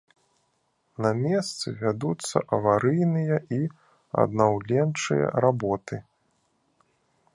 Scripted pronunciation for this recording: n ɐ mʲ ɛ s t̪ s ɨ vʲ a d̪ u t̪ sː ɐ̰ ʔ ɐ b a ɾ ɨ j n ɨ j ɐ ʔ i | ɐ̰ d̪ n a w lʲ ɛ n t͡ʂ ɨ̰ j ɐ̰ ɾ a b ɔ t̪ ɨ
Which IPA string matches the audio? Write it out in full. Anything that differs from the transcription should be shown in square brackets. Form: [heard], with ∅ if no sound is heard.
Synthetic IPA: n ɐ mʲ ɛ s t̪ s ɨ vʲ a d̪ u t̪ sː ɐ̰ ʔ ɐ [v] a ɾ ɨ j n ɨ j ɐ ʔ i | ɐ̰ d̪ n a w lʲ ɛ n t͡ʂ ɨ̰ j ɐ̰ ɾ a b ɔ t̪ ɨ